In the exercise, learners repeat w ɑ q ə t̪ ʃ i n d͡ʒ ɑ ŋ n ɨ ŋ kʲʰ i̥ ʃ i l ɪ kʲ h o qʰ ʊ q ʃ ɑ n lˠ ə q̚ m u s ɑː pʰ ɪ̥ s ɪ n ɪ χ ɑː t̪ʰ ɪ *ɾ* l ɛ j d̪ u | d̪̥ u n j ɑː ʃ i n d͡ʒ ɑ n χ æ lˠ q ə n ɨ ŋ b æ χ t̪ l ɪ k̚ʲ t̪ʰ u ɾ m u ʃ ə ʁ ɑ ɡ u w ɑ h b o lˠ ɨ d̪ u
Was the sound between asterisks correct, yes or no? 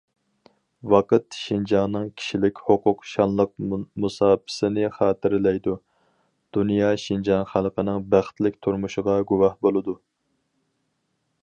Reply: yes